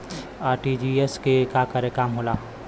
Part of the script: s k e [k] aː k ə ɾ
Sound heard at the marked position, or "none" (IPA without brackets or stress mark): k